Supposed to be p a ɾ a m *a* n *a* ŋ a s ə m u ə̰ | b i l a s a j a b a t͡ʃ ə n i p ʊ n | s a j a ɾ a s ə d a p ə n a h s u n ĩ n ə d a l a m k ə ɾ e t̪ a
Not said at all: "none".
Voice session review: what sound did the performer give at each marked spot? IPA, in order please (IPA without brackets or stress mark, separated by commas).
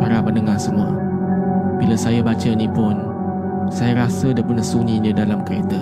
ə, ə